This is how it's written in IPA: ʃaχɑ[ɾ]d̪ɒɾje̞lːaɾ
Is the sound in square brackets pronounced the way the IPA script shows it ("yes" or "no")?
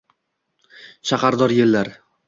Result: yes